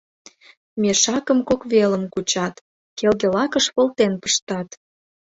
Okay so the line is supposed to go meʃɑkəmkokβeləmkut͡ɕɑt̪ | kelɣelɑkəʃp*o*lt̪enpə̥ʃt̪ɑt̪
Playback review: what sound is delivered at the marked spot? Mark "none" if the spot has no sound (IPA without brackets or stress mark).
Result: o